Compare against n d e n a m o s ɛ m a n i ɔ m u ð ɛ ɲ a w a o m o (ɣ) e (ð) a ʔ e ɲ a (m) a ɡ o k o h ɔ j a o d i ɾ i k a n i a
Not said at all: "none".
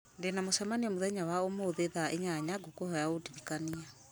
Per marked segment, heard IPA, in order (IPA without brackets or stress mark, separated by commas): ð, ð, ɲ